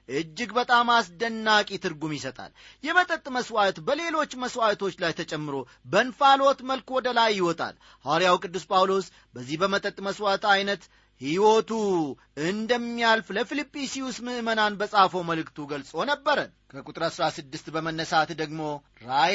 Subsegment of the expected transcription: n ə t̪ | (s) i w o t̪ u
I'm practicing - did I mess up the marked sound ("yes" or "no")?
yes